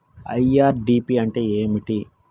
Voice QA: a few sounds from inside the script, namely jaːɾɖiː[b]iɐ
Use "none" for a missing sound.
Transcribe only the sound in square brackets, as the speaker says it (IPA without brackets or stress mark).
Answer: p